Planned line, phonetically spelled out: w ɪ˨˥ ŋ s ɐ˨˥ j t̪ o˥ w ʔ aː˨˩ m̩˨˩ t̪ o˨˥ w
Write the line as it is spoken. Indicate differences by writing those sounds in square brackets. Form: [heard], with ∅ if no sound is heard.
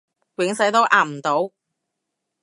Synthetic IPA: w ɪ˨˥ ŋ s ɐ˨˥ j t̪ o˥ w ʔ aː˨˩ m̩˨˩ t̪ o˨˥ w

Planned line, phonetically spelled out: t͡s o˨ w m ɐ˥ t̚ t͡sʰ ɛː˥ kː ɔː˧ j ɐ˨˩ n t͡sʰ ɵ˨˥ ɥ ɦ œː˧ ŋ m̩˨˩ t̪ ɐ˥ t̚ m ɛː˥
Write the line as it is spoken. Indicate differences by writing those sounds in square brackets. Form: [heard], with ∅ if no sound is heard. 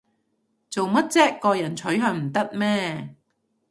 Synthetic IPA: t͡s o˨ w m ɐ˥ t̚ [t͡s] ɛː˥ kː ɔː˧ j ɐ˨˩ n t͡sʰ ɵ˨˥ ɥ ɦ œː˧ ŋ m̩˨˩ t̪ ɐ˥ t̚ m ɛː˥

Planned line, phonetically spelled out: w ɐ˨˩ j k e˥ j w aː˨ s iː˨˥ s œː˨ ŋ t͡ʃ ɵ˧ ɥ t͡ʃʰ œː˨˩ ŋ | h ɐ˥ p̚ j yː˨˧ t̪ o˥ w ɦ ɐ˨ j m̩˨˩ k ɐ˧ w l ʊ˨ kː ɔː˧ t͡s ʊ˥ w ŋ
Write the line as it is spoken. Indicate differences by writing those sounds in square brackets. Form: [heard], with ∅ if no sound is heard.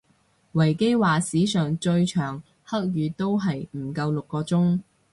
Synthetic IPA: w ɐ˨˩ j k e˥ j w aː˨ s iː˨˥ s œː˨ ŋ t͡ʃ ɵ˧ ɥ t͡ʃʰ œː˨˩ ŋ | h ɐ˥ [k̚] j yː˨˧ t̪ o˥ w ɦ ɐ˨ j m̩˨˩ k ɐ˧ w l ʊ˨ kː ɔː˧ t͡s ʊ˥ [∅] ŋ

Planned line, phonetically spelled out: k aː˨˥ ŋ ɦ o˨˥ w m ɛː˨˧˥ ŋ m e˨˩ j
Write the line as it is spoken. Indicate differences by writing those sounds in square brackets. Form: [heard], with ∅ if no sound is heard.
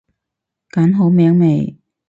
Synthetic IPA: k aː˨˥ [n] ɦ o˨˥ w m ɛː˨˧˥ ŋ m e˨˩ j

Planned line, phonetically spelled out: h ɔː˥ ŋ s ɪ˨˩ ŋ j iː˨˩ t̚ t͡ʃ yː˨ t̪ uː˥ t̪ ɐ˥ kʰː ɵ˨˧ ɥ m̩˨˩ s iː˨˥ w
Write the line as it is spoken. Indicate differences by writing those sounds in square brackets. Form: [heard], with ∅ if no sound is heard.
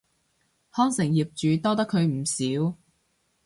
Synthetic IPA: h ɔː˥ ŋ s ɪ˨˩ ŋ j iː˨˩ [p̚] t͡ʃ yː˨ t̪ [ɔː˥] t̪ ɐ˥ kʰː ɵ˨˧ ɥ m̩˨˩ s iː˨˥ w

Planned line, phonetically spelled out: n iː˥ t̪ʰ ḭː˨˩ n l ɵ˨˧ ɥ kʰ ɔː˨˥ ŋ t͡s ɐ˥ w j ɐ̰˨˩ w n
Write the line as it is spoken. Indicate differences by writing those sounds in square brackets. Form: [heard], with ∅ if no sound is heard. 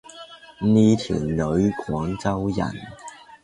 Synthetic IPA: n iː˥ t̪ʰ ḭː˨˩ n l ɵ˨˧ ɥ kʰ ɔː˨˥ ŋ t͡s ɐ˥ w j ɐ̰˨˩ [∅] n

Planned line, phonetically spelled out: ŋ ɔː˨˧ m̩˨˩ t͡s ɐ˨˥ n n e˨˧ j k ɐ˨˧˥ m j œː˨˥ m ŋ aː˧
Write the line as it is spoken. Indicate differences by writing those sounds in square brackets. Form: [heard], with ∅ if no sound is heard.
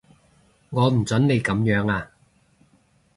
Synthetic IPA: ŋ ɔː˨˧ m̩˨˩ t͡s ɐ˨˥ n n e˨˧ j k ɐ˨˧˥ m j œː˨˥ [∅] ŋ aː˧

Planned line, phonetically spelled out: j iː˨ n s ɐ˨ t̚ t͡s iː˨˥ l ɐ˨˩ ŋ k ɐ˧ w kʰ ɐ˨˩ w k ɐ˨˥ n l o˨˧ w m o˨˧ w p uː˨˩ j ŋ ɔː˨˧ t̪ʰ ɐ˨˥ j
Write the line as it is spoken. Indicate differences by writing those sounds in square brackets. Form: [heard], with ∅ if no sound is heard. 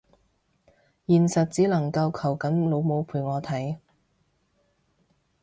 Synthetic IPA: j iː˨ n s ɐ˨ t̚ t͡s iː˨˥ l ɐ˨˩ ŋ k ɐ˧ w kʰ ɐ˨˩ w k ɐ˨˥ n l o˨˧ w m o˨˧ w [pʰ] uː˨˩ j ŋ ɔː˨˧ t̪ʰ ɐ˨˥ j

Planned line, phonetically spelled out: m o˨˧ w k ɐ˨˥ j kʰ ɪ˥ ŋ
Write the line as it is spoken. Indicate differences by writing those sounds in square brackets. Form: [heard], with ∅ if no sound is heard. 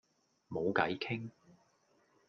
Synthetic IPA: m o˨˧ w k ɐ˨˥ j kʰ ɪ˥ ŋ

